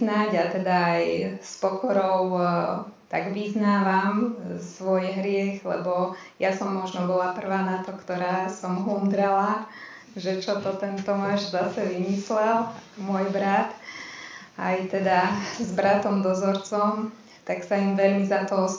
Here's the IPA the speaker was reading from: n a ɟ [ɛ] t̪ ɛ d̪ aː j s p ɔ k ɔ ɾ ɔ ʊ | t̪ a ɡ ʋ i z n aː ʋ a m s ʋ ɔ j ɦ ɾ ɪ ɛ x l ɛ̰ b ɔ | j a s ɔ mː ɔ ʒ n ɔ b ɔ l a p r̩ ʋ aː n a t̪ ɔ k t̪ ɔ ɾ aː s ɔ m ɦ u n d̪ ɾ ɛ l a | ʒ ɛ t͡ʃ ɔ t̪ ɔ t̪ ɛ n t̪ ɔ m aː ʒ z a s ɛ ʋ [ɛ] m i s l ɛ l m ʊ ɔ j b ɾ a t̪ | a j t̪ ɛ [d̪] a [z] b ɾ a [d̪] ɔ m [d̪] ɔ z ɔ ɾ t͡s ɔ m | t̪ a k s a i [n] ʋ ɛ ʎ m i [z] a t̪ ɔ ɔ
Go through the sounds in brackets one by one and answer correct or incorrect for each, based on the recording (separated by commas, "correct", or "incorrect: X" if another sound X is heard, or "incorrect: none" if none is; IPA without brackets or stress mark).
incorrect: a, incorrect: i, correct, correct, incorrect: t̪, correct, incorrect: m, correct